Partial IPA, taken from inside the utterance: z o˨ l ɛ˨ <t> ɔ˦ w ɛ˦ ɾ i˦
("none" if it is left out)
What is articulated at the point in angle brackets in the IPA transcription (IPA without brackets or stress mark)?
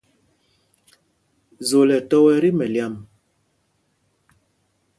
t